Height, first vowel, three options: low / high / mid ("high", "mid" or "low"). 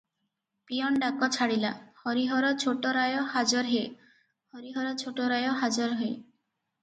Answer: high